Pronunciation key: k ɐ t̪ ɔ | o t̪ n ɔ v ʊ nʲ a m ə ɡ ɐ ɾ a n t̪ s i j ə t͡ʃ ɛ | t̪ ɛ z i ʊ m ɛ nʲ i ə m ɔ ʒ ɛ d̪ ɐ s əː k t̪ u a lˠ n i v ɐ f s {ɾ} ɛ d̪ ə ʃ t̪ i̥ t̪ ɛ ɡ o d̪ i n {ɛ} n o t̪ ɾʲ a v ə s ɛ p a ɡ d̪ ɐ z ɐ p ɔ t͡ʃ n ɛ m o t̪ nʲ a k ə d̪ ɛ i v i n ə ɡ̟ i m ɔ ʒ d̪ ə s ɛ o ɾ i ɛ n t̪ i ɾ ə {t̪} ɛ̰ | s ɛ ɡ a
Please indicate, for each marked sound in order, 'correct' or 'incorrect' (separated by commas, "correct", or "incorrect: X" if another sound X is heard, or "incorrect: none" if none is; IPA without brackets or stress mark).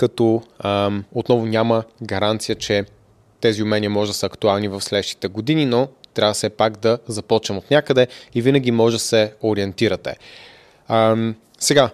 incorrect: l, incorrect: i, correct